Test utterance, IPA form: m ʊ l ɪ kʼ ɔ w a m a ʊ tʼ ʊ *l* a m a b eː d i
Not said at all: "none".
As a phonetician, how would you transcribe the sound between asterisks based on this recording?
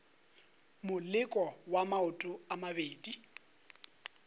none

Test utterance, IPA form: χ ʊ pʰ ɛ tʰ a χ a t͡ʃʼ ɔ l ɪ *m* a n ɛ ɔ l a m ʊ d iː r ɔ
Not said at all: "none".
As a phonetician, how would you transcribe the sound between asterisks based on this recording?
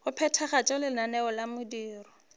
n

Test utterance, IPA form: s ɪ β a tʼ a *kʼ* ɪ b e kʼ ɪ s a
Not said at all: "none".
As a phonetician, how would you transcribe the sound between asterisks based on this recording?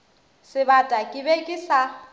kʼ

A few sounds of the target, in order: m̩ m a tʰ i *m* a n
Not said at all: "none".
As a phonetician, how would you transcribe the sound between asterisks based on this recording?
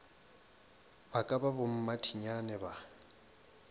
ɲ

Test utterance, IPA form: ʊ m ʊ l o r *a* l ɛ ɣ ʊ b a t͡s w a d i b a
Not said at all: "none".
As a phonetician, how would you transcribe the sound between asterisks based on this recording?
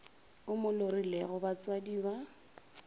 i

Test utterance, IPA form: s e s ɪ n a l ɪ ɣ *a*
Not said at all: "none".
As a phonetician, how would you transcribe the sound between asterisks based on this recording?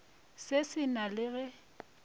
ɛ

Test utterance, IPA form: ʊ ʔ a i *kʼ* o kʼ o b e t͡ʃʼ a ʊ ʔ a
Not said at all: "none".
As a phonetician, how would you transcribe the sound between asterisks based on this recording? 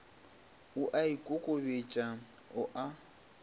kʼ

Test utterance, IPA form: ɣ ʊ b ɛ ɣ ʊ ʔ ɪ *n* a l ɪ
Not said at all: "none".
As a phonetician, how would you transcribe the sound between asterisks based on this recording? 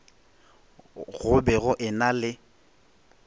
n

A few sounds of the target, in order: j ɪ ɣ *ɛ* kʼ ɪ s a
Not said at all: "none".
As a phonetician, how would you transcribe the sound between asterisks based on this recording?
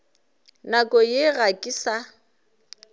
a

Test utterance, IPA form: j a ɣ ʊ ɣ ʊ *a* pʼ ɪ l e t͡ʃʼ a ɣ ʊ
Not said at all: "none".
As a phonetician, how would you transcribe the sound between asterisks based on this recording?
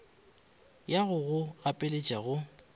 a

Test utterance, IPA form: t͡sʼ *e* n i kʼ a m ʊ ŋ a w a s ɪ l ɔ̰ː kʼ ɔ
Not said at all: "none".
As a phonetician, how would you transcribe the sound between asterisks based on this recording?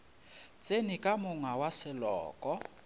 e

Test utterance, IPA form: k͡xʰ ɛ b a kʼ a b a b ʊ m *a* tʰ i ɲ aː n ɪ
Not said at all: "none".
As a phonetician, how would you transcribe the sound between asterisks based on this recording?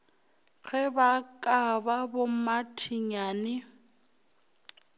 a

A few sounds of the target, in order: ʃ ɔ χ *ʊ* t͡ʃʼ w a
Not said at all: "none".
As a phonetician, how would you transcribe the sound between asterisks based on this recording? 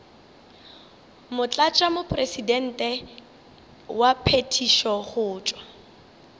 ʊː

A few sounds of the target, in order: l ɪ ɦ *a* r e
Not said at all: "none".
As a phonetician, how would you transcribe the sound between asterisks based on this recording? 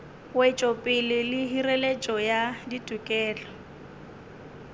i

